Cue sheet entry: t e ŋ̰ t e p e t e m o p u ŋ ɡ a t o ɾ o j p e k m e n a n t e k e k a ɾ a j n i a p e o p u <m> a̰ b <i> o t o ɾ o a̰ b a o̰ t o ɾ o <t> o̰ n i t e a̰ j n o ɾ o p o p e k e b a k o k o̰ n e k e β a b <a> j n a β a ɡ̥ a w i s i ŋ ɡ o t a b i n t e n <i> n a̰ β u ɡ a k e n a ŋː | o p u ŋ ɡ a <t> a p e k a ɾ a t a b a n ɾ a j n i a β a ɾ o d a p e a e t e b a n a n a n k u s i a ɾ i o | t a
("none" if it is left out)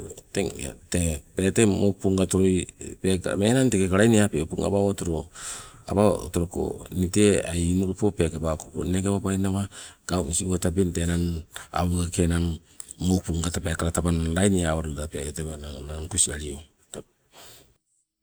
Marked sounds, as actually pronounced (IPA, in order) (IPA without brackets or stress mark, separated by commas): ŋ, a, k, a, a, t